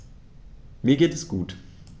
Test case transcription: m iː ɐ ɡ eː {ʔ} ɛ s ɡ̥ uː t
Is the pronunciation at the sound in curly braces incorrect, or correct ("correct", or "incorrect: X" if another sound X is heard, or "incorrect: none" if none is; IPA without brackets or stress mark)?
incorrect: t